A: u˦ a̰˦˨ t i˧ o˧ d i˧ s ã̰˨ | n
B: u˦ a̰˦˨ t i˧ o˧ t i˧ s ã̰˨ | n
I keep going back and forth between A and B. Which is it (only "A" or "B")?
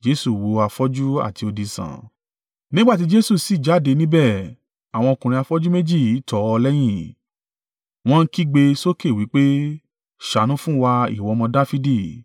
A